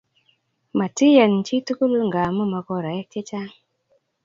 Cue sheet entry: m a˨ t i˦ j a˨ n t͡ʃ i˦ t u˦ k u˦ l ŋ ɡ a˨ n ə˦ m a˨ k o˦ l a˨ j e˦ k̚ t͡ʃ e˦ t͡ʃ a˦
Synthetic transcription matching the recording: m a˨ t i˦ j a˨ n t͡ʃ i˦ t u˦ k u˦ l ŋ ɡ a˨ m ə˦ m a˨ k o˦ ɾ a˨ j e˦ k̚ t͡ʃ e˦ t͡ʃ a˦